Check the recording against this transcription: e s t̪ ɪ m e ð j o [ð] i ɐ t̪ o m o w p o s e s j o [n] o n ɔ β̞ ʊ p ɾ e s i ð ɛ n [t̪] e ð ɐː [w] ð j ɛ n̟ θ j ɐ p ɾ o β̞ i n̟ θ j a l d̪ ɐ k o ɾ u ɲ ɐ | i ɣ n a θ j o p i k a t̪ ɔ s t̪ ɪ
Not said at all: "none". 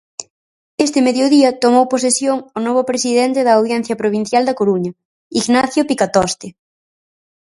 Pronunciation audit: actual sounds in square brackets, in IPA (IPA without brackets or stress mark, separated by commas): ð, ŋ, t̪, w